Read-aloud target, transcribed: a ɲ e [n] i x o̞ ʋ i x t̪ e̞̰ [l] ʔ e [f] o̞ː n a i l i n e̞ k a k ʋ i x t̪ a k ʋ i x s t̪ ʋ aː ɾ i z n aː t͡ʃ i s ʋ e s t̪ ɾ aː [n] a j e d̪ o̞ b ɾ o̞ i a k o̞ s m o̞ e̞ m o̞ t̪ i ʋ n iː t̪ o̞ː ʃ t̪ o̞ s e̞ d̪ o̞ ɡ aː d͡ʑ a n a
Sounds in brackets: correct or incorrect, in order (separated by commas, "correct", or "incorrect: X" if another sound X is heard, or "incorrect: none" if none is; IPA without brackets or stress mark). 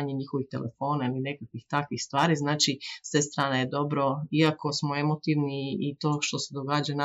incorrect: ɲ, correct, correct, correct